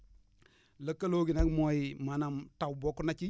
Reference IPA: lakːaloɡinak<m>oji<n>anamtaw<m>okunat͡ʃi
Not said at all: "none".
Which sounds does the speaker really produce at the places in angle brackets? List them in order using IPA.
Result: m, m, b

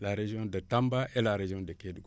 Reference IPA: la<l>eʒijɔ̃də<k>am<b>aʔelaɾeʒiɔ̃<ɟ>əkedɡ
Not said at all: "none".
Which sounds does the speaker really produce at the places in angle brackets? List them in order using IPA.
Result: ɾ, t, b, d

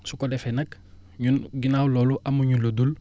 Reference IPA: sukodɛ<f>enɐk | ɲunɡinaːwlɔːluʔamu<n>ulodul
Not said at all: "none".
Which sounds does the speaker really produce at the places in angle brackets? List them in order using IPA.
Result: f, ɲ

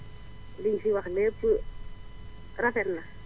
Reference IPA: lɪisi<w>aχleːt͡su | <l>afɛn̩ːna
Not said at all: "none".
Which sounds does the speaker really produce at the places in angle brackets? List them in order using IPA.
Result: w, r

